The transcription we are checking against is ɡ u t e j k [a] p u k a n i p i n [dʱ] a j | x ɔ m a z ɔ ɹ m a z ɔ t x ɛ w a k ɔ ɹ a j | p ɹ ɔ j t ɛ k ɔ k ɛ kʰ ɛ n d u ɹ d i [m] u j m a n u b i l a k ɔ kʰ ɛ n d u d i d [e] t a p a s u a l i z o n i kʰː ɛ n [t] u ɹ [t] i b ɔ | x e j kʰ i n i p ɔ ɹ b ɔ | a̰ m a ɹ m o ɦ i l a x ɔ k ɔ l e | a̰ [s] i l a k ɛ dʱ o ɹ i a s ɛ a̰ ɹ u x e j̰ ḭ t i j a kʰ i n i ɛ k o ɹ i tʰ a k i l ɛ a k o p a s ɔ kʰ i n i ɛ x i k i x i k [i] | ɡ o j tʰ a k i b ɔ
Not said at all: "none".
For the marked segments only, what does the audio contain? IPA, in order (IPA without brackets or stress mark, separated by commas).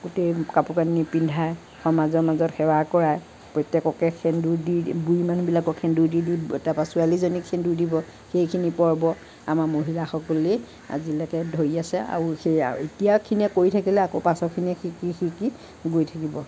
a, dʱ, b, i, d, d, z, i